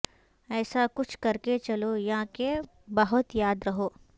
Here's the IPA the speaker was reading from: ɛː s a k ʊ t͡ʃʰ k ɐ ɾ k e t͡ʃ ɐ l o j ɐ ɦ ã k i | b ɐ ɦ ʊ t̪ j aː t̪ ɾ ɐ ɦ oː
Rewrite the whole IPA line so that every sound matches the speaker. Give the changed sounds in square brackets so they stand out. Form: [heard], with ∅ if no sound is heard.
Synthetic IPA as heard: ɛː s a k ʊ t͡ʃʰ k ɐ ɾ k e t͡ʃ ɐ l o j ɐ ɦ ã k [e] | b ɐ ɦ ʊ t̪ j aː [d̪] ɾ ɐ ɦ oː

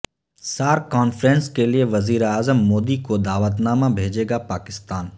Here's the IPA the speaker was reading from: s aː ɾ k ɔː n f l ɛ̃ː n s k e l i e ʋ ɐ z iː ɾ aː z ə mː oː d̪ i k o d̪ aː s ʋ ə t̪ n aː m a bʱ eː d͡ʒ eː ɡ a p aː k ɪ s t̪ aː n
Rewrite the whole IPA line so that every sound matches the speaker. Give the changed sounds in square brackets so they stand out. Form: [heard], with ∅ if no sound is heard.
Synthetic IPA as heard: s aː ɾ k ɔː n f [ɾ] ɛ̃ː n s k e l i e ʋ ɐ z iː ɾ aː z ə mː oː d̪ i k o d̪ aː [∅] ʋ ə t̪ n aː m a bʱ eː d͡ʒ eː ɡ a p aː k ɪ s t̪ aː n

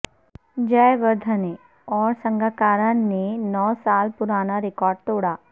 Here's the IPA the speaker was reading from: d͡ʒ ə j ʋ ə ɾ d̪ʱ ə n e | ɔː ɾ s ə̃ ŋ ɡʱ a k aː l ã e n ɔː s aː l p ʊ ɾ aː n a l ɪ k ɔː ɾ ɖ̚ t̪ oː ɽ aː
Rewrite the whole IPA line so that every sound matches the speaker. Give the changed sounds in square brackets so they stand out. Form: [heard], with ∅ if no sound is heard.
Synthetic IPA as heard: d͡ʒ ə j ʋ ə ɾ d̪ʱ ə n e | ɔː ɾ s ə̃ ŋ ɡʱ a k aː [ɾ] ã e n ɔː s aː l p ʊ ɾ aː n a [ɾ] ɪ k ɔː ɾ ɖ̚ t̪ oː ɽ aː

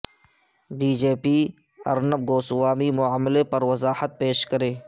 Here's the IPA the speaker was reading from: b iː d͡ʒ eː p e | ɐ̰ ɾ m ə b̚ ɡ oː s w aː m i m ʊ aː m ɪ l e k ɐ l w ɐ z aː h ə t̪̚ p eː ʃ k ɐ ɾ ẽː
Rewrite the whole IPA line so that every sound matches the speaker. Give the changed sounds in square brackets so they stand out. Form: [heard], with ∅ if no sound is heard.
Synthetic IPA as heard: b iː d͡ʒ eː p [i] | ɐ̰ ɾ [n] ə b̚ ɡ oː s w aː m i m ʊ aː m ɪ l e [p] ɐ [ɾ] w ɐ z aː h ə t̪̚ p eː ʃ k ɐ ɾ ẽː

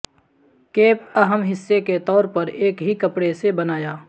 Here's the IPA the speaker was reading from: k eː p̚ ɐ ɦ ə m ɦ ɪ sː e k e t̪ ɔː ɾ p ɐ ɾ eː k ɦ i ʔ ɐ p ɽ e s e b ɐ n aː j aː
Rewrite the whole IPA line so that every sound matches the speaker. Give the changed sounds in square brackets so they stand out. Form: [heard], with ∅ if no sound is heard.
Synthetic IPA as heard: k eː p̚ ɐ ɦ ə m ɦ ɪ sː e k e t̪ ɔː ɾ p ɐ ɾ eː k ɦ i [k] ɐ p ɽ e s e b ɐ n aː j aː

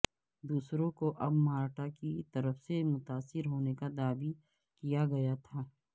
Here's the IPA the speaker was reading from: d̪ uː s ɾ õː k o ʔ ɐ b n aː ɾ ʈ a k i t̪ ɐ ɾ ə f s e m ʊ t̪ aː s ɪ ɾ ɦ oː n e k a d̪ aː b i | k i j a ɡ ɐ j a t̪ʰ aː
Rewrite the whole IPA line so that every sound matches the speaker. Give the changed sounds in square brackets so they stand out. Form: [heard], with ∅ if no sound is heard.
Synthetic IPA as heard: d̪ uː s ɾ [õ] k o ʔ ɐ b [m] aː ɾ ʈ a k i t̪ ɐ ɾ ə f s e m ʊ t̪ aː s ɪ ɾ ɦ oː n e k a d̪ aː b i | k i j a ɡ ɐ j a t̪ʰ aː

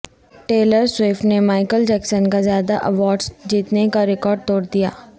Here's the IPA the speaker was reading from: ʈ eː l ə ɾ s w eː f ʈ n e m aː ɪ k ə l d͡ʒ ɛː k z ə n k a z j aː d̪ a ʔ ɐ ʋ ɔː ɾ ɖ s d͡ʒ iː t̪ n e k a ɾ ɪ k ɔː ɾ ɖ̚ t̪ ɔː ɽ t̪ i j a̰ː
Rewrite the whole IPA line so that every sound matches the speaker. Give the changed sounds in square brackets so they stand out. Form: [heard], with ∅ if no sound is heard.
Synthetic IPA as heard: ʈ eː l ə ɾ s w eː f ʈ n e m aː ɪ k ə l d͡ʒ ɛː k [s] ə n k a z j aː d̪ a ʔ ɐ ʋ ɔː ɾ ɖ s d͡ʒ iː t̪ n e k a ɾ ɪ k ɔː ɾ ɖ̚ t̪ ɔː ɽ [d̪] i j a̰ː

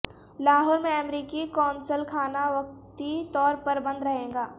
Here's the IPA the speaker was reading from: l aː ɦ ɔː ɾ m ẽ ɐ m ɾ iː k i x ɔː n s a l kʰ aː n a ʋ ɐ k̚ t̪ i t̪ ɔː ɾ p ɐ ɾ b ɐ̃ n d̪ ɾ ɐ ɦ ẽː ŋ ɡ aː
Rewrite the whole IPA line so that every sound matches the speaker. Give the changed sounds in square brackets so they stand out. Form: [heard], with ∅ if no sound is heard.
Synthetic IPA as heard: l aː ɦ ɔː ɾ m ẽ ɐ m ɾ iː k i [k] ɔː n s [ə] l kʰ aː n a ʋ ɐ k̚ t̪ i t̪ ɔː ɾ p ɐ ɾ b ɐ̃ n d̪ ɾ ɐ ɦ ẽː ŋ ɡ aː

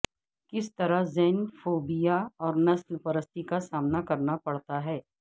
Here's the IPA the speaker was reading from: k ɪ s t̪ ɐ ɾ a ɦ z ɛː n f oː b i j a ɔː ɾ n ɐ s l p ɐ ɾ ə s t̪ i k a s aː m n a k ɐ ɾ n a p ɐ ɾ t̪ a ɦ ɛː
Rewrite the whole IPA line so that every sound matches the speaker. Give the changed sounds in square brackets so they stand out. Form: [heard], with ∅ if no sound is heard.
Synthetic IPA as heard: k ɪ s t̪ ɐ ɾ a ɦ z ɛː n f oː b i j a ɔː ɾ n ɐ s l p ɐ ɾ ə s t̪ i k a s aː m n a k ɐ ɾ n a p ɐ [ɽ] t̪ a ɦ ɛː

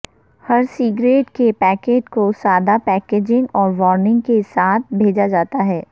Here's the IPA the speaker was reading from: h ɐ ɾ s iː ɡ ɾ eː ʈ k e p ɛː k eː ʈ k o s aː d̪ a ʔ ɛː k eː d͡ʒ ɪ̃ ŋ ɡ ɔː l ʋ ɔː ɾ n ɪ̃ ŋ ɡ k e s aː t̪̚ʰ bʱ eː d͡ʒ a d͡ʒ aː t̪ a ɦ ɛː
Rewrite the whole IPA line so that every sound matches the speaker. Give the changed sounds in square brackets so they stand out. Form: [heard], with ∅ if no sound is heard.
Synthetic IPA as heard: h ɐ ɾ s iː ɡ ɾ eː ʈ k e p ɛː k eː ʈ k o s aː d̪ a [p] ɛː k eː d͡ʒ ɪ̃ ŋ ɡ ɔː [ɾ] ʋ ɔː ɾ n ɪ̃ ŋ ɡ k e s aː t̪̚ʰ bʱ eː d͡ʒ a d͡ʒ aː t̪ a ɦ ɛː

